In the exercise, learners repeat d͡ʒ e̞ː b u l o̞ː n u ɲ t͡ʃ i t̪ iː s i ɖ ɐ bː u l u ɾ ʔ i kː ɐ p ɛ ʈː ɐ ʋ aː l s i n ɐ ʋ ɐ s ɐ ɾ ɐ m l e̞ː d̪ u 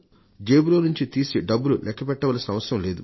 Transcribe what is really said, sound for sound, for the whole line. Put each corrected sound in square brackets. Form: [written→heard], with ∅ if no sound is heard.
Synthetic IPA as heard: d͡ʒ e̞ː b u l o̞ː n u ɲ t͡ʃ i t̪ iː s i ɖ ɐ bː u l u [ɾ→l] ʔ [i→ɛ] kː ɐ p ɛ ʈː ɐ ʋ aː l s i n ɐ ʋ ɐ s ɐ ɾ ɐ m l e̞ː d̪ u

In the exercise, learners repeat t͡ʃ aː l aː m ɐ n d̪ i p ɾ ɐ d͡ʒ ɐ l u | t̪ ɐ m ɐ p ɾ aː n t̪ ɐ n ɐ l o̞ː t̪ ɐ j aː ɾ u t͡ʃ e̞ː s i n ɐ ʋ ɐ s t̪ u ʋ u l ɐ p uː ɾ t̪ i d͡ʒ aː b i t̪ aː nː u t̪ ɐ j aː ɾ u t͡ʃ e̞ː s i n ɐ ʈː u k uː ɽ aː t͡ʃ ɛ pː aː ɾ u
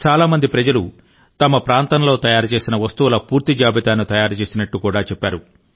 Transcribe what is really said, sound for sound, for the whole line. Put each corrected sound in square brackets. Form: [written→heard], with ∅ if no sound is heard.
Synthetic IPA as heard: t͡ʃ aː l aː m ɐ n d̪ i p ɾ ɐ d͡ʒ ɐ l u | t̪ ɐ m ɐ p ɾ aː n t̪ ɐ n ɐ l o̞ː t̪ ɐ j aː ɾ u t͡ʃ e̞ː s i n ɐ ʋ ɐ s t̪ u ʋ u l ɐ p uː ɾ t̪ i d͡ʒ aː b i t̪ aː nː u t̪ ɐ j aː ɾ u t͡ʃ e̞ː s i n ɐ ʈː u k uː ɽ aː t͡ʃ ɛ pː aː ɾ u

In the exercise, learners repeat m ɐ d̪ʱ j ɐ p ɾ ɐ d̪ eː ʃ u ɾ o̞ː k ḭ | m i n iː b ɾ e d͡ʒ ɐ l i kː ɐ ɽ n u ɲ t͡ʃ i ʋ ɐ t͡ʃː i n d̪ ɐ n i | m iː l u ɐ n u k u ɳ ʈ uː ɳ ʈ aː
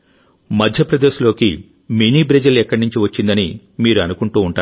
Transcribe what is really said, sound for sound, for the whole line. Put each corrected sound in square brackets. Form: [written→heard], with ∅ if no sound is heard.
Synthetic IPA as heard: m ɐ d̪ʱ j ɐ p ɾ ɐ d̪ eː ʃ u [ɾ→l] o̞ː k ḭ | m i n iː b ɾ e d͡ʒ ɐ l [i→ɛ] kː ɐ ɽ n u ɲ t͡ʃ i ʋ ɐ t͡ʃː i n d̪ ɐ n i | m iː [l→ɾ] u ɐ n u k u ɳ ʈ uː ɳ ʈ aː

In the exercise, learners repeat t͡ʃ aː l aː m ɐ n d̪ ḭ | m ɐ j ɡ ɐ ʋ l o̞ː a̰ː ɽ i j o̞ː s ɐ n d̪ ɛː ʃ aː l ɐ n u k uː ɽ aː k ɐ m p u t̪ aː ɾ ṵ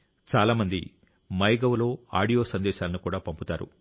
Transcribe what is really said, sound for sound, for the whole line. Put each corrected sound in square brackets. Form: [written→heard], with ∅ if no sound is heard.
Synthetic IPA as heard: t͡ʃ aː l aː m ɐ n d̪ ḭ | m ɐ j ɡ ɐ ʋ l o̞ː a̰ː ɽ i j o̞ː s ɐ n d̪ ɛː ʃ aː l ɐ n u k uː ɽ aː [k→p] ɐ m p u t̪ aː ɾ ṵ

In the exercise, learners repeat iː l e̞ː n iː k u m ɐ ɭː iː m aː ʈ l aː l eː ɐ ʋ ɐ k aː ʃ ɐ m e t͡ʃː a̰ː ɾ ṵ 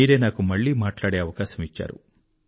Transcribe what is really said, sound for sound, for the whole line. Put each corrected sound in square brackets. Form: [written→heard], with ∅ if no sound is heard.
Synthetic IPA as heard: iː [l→ɾ] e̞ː n [iː→aː] k u m ɐ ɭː iː m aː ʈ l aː [l→ɽ] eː ɐ ʋ ɐ k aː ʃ ɐ m [e→i] t͡ʃː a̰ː ɾ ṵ

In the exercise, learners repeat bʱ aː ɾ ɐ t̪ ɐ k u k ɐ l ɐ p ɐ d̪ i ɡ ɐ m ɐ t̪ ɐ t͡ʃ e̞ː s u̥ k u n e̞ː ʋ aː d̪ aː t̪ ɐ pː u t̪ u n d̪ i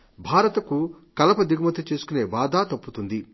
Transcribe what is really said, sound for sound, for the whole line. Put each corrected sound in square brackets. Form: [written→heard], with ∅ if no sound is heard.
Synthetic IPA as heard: bʱ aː ɾ ɐ t̪ ɐ k u k ɐ l ɐ p ɐ d̪ i ɡ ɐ m ɐ t̪ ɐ t͡ʃ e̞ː s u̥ k u n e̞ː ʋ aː d̪ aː t̪ ɐ pː u t̪ u n d̪ i

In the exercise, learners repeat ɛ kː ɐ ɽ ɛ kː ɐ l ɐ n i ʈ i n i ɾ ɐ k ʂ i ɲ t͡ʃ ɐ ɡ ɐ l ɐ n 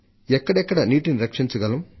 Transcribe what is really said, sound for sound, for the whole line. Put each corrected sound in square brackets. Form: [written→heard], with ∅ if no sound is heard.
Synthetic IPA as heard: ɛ kː ɐ ɽ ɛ kː ɐ [l→ɽ] ɐ n [i→iː] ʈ i n i ɾ ɐ k ʂ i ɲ t͡ʃ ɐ ɡ ɐ l ɐ [n→m]

